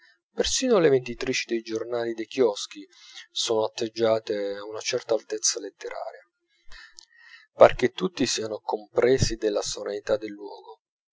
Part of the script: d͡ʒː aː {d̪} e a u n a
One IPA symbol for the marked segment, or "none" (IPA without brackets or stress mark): t̪